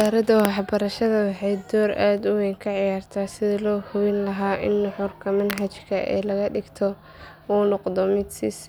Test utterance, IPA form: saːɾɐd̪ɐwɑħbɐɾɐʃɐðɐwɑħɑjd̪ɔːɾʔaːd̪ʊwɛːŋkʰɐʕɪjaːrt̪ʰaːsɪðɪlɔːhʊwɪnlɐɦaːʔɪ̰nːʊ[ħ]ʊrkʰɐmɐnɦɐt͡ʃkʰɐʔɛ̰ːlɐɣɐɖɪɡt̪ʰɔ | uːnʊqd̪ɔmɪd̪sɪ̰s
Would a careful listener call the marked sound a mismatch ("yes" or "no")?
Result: no